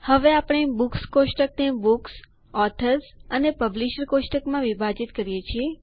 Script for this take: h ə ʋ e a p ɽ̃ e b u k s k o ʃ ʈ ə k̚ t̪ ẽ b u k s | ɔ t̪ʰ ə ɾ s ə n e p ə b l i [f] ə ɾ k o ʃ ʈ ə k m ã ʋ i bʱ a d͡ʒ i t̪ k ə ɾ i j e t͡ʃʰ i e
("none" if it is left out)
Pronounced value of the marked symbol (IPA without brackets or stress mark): ʃ